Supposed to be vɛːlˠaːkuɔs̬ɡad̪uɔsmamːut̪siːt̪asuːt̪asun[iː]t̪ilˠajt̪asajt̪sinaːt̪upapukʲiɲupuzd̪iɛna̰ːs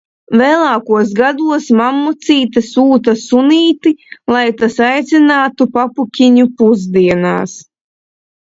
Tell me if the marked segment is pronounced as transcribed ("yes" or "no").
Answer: yes